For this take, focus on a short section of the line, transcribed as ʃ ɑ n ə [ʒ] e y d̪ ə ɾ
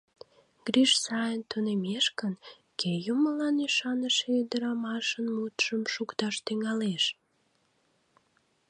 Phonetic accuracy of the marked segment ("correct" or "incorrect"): incorrect